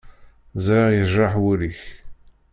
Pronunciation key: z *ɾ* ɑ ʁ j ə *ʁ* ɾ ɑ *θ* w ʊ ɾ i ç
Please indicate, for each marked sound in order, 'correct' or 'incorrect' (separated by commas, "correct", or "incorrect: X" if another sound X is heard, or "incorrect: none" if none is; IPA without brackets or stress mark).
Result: correct, incorrect: ʒ, incorrect: ħ